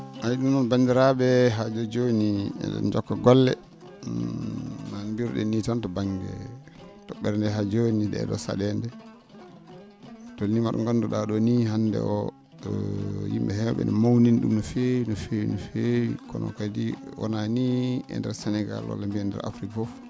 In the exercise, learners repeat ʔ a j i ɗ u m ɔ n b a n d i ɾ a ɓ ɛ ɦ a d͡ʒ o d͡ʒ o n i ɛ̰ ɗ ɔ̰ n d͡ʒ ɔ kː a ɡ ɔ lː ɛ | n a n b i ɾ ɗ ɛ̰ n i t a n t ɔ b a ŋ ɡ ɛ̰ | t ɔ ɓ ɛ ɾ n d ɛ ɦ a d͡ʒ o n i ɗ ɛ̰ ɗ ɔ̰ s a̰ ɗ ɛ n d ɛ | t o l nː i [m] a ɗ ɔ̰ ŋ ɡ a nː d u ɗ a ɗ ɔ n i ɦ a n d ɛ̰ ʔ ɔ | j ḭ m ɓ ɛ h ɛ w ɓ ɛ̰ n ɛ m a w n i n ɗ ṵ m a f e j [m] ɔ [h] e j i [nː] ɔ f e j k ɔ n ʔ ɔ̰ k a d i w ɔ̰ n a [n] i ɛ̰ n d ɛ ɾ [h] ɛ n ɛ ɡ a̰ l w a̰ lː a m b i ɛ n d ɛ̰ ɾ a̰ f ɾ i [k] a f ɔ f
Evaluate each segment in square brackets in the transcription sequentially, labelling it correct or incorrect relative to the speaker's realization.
correct, incorrect, incorrect, incorrect, correct, incorrect, correct

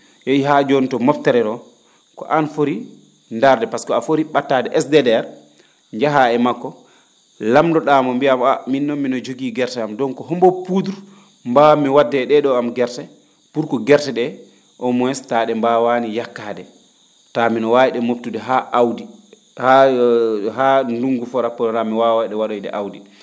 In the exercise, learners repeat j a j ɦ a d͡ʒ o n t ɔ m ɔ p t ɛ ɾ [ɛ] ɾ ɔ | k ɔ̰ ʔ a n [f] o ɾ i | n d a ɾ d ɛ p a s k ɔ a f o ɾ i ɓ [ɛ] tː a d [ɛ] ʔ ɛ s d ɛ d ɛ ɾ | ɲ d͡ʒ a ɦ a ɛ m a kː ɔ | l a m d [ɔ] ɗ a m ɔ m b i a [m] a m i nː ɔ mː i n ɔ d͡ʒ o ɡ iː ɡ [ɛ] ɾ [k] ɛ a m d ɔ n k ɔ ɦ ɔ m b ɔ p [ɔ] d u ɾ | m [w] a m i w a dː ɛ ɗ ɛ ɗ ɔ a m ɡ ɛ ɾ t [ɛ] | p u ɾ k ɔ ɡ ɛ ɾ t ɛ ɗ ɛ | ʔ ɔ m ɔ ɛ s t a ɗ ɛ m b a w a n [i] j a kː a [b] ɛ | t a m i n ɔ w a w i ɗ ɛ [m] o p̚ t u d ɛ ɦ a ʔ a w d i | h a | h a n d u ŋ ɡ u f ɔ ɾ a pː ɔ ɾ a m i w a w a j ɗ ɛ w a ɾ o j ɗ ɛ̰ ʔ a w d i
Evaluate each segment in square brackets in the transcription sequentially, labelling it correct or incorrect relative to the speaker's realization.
correct, correct, incorrect, correct, correct, correct, correct, incorrect, incorrect, incorrect, correct, correct, incorrect, correct

